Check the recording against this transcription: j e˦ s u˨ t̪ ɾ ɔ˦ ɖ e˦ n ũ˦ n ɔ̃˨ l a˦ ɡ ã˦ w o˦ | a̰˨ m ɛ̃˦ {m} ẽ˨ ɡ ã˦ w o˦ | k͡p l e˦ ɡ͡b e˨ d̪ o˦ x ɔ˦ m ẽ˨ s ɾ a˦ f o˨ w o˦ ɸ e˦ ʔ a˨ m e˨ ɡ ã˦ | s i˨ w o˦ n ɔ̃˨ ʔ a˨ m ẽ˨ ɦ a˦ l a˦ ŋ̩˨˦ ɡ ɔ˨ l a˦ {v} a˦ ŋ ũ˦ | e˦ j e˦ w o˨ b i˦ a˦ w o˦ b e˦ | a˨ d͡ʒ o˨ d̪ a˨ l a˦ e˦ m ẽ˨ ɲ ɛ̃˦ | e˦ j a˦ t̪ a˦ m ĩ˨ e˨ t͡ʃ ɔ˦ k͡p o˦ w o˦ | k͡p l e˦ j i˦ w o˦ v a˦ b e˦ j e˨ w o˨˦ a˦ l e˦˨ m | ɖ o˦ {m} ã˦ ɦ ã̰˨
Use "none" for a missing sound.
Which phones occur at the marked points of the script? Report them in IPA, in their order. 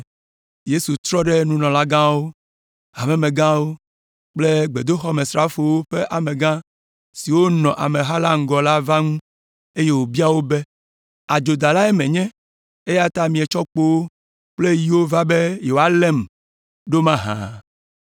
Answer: m, v, m

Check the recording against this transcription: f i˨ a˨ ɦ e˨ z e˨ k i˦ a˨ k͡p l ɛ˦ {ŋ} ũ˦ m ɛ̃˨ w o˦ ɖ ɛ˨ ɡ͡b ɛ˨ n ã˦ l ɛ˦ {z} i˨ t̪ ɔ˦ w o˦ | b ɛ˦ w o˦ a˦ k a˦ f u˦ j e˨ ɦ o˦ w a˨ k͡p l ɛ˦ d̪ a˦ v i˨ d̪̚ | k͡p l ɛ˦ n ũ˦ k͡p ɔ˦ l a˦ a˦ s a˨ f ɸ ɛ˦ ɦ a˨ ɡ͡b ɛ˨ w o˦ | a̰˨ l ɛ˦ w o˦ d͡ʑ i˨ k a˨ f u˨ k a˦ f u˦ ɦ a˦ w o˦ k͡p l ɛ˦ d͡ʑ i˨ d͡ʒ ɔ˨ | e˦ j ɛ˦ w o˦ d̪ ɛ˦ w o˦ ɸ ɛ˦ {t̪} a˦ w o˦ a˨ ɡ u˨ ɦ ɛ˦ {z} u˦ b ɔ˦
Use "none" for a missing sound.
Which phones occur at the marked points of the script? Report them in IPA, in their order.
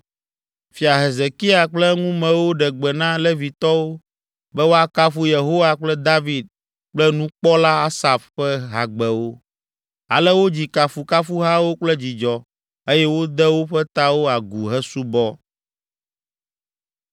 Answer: ŋ, v, t̪, s

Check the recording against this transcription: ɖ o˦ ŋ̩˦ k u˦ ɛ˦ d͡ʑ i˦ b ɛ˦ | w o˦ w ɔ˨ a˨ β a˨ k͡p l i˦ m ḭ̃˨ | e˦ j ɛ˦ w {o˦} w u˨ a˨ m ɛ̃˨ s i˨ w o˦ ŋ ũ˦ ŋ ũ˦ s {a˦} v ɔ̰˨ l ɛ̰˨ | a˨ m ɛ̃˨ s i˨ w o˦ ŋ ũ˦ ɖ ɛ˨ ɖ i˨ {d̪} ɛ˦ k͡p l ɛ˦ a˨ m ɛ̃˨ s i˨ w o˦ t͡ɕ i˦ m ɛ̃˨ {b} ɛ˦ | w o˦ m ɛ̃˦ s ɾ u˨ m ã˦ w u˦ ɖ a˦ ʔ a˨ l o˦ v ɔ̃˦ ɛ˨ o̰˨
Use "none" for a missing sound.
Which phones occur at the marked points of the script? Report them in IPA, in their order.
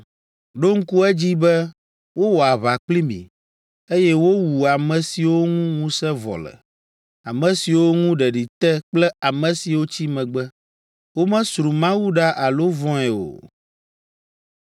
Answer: o˦, ɛ˦, t̪, ɡ͡b

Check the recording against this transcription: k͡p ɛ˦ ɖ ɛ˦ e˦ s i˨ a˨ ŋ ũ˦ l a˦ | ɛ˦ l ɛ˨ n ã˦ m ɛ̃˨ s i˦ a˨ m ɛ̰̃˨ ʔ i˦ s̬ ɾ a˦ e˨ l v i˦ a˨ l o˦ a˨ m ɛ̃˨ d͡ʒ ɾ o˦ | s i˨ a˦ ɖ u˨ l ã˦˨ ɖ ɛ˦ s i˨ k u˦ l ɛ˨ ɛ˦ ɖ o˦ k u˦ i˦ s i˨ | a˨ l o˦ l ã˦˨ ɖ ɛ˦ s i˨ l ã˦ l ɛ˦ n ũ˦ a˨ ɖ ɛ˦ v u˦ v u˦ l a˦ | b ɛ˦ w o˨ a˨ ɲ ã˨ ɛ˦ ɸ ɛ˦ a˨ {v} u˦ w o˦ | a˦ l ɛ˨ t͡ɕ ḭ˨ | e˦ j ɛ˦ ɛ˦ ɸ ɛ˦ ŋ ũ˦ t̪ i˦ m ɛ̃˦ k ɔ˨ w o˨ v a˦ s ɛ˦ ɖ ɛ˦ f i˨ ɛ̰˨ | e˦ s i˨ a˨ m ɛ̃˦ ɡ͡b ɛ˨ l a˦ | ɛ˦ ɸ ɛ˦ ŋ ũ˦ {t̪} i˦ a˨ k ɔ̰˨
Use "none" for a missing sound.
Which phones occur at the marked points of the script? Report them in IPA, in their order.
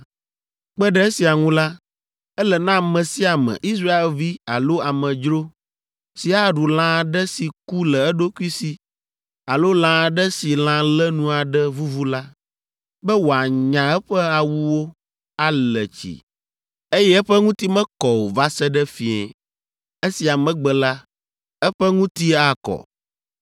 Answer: w, t̪

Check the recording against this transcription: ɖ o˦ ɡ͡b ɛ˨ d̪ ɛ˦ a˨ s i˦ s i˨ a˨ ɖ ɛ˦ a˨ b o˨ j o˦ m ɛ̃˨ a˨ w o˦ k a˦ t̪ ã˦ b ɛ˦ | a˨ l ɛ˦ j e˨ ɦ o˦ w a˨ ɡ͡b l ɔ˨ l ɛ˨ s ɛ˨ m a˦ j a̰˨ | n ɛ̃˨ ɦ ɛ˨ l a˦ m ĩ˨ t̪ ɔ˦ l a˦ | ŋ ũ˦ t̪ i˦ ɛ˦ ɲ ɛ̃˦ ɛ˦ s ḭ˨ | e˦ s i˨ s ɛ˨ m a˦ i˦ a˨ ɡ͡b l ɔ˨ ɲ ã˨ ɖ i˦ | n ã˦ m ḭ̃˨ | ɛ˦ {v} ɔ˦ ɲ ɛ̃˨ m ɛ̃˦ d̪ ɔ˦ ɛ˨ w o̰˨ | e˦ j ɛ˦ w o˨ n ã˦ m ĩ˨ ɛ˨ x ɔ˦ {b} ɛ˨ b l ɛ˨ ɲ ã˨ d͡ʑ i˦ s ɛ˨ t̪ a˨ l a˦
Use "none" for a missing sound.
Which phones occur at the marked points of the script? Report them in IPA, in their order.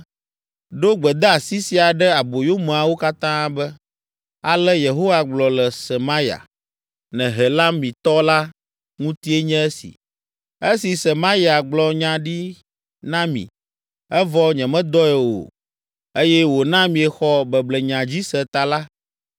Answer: v, b

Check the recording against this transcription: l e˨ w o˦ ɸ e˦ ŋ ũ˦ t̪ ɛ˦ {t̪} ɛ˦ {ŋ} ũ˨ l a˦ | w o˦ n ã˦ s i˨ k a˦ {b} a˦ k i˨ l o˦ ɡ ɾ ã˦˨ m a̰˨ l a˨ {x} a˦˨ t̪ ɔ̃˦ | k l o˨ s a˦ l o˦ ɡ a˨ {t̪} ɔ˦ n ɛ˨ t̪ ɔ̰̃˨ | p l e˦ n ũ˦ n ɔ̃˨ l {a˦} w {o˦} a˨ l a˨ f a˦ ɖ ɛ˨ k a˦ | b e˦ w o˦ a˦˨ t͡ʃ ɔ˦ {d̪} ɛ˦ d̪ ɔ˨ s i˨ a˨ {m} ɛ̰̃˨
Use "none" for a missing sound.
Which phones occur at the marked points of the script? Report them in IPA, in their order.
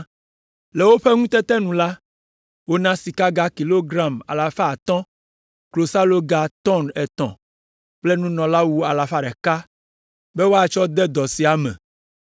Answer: t̪, n, ɡ, f, t̪, a˦, u˦, d̪, m

